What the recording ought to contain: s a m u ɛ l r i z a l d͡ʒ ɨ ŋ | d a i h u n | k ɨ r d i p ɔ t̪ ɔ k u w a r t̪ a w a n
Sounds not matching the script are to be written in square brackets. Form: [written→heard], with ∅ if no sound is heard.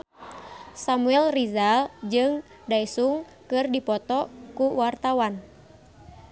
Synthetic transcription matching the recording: s a m u ɛ l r i z a l d͡ʒ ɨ ŋ | d a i [h→s] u [n→ŋ] | k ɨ r d i p ɔ t̪ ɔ k u w a r t̪ a w a n

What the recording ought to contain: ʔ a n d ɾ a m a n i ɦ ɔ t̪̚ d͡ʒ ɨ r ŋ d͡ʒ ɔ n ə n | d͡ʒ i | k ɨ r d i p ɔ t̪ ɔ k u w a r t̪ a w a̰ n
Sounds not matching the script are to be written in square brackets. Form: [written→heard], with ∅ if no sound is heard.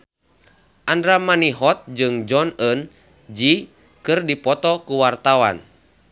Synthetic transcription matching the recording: ʔ a n d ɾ a m a n i ɦ ɔ t̪̚ d͡ʒ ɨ [r→∅] ŋ d͡ʒ ɔ n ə n | d͡ʒ i | k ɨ r d i p ɔ t̪ ɔ k u w a r t̪ a w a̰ n

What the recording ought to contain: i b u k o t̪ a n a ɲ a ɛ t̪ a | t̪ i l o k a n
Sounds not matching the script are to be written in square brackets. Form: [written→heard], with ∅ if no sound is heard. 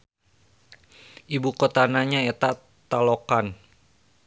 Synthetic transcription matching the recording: i b u k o t̪ a n a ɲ a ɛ t̪ a | t̪ [i→a] l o k a n

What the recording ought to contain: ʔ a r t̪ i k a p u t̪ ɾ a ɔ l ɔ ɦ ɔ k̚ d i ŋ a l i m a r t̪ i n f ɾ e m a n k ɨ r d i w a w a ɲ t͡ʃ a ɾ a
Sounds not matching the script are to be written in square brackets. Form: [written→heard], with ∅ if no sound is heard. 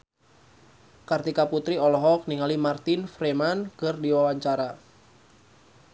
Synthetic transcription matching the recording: [ʔ→k] a r t̪ i k a p u t̪ ɾ [a→i] ɔ l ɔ ɦ ɔ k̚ [d→n] i ŋ a l i m a r t̪ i n f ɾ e m a n k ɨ r d i w a w a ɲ t͡ʃ a ɾ a

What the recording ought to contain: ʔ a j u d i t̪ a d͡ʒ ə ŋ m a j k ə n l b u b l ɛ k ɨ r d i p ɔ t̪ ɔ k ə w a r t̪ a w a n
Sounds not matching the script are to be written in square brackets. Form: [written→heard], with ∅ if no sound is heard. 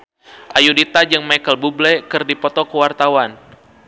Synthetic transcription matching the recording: ʔ a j u d i t̪ a d͡ʒ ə ŋ m a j k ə [n→∅] l b u b l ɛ k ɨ r d i p ɔ t̪ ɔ k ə w a r t̪ a w a n

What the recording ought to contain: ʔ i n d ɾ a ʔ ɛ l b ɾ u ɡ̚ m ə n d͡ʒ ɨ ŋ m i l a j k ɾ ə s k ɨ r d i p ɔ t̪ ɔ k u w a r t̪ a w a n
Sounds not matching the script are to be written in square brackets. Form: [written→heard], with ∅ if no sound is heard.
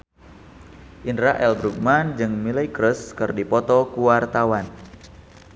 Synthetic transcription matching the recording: ʔ i n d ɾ a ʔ ɛ l b ɾ u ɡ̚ m [ə→a] n d͡ʒ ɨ ŋ m i l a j k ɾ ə s k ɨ r d i p ɔ t̪ ɔ k u w a r t̪ a w a n

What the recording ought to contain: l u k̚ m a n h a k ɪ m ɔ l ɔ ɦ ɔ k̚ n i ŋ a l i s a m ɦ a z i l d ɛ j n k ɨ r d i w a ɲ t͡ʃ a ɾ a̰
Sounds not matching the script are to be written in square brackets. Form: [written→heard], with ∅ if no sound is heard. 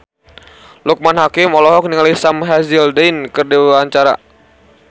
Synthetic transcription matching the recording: l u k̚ m a n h a k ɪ m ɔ l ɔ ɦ ɔ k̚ n i ŋ a l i s a m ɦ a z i l d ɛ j n k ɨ r d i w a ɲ t͡ʃ a ɾ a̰

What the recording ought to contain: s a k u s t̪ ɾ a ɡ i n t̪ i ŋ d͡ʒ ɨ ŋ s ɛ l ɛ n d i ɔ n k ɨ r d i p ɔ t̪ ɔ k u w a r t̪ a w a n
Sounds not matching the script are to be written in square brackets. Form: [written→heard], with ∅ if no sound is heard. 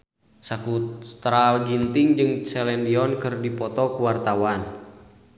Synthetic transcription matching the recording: s a k u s t̪ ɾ a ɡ i n t̪ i ŋ d͡ʒ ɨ ŋ s ɛ l ɛ n d i ɔ n k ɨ r d i p ɔ t̪ ɔ k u w a r t̪ a w a n

